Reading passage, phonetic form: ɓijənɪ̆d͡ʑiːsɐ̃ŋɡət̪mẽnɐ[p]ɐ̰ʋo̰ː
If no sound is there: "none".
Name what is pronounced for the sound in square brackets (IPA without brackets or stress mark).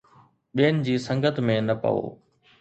p